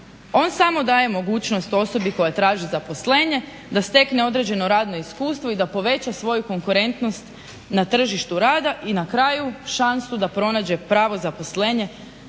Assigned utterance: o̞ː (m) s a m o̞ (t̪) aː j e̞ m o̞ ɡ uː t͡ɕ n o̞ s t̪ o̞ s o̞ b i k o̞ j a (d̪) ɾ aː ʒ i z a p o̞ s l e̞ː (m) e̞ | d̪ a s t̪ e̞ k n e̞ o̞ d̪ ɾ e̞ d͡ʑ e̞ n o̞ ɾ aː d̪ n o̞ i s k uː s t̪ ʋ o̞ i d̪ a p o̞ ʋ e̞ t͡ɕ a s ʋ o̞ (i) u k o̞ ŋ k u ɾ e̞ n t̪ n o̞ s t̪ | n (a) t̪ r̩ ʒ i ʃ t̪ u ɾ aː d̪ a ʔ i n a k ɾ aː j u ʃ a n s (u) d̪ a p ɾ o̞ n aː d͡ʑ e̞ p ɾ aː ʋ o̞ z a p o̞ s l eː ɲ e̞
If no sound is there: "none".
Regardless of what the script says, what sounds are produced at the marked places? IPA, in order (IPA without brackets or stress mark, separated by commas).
n, d̪, t̪, ɲ, j, a, u